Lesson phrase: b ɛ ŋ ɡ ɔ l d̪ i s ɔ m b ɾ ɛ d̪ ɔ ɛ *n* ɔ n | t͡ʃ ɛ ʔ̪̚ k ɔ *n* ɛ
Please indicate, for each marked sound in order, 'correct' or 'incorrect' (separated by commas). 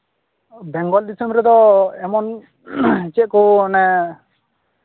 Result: incorrect, correct